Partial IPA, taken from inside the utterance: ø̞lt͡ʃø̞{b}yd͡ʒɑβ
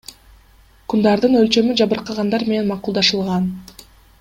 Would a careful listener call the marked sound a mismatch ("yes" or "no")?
yes